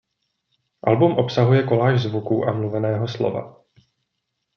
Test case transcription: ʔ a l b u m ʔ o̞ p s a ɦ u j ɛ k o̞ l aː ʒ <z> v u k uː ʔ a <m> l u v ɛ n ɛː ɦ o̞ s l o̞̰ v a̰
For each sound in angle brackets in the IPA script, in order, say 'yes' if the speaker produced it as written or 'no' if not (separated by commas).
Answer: yes, yes